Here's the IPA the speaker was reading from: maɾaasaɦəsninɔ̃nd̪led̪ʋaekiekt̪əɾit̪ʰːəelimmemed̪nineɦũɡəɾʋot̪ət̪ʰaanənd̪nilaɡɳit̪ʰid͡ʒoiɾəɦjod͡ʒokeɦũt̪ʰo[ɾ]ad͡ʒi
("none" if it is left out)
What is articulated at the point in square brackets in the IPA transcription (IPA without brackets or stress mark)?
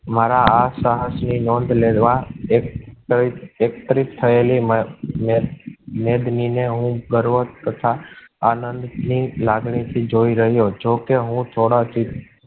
ɽ